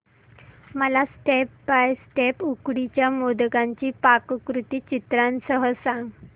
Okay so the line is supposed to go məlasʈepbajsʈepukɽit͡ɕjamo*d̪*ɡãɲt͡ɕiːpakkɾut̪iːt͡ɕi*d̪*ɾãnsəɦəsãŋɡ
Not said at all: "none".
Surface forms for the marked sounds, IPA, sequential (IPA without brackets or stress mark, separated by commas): d̪, t̪